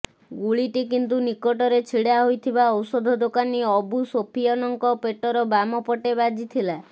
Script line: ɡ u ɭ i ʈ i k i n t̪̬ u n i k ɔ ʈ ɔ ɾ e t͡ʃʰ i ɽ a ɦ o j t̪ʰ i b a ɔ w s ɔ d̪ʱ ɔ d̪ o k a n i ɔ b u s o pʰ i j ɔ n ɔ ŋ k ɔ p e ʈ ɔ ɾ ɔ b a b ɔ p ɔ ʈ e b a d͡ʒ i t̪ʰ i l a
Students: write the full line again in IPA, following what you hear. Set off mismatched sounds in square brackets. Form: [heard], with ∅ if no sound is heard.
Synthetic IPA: ɡ u ɭ i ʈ i k i n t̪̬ u n i k ɔ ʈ ɔ ɾ e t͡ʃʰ i ɽ a ɦ o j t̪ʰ i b a ɔ w s ɔ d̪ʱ ɔ d̪ o k a n i ɔ b u s o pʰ i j ɔ n ɔ ŋ k ɔ p e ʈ ɔ ɾ ɔ b a [m] ɔ p ɔ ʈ e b a d͡ʒ i t̪ʰ i l a